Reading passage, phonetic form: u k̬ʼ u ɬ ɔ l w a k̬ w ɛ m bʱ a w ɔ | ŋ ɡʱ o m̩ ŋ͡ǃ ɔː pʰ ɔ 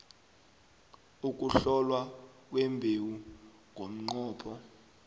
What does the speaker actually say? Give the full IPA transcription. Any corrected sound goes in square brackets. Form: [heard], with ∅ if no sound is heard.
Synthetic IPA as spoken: u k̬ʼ u ɬ ɔ l w a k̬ w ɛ m bʱ [e] w [u] | ŋ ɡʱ o m̩ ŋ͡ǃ ɔː pʰ ɔ